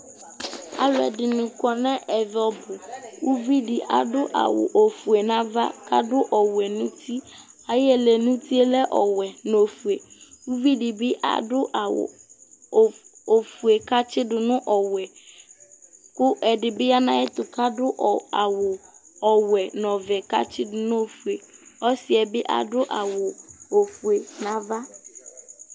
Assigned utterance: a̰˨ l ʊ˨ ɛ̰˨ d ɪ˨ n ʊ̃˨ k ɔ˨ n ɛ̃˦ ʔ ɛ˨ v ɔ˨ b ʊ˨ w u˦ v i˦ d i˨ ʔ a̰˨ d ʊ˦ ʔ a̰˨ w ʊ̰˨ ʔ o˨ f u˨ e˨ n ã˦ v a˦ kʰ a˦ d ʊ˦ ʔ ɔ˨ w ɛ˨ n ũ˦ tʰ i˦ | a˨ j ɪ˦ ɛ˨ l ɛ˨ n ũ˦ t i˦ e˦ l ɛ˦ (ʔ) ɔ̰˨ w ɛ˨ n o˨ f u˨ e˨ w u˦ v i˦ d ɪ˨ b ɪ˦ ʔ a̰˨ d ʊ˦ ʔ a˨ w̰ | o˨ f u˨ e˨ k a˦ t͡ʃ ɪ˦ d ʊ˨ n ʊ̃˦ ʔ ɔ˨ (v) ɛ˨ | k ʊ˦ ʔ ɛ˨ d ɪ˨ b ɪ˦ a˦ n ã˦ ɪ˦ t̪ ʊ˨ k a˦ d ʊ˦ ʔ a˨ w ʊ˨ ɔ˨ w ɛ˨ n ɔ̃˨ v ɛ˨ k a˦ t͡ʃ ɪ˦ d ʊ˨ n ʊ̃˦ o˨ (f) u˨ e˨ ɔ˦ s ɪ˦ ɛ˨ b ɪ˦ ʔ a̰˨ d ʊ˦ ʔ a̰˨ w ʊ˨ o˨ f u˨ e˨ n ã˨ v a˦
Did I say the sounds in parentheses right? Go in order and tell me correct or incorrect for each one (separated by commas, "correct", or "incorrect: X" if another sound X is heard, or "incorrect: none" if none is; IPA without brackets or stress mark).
correct, incorrect: w, correct